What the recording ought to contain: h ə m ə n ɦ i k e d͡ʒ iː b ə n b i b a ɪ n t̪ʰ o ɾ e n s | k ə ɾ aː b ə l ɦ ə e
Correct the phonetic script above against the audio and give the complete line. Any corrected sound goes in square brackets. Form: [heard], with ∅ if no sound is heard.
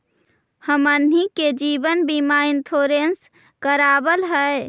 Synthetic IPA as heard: h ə m ə n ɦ i k e d͡ʒ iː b ə n b i [m] a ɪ n t̪ʰ o ɾ e n s | k ə ɾ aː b ə l ɦ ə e